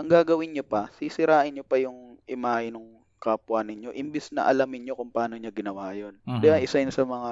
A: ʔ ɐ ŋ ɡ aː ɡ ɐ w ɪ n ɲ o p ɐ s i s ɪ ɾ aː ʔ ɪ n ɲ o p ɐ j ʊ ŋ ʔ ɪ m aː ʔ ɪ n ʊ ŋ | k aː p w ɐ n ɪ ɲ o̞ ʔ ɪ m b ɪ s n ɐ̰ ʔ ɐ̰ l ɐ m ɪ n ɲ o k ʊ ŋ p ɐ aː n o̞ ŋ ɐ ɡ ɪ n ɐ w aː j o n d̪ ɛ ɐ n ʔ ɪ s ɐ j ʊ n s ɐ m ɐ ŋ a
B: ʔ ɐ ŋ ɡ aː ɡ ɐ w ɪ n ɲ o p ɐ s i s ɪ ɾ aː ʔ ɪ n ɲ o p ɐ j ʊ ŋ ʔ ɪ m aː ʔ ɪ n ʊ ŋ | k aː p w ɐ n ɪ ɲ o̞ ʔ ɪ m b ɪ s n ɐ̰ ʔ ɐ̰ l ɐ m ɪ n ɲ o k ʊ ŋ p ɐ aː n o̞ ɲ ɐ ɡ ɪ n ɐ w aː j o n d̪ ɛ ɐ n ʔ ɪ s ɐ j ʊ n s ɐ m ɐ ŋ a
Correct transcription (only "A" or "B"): B